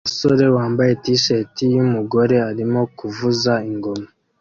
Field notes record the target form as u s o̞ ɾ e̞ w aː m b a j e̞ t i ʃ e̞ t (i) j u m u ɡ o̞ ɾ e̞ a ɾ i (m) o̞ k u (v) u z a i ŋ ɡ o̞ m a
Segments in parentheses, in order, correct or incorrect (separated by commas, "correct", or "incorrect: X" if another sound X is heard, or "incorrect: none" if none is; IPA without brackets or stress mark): correct, correct, correct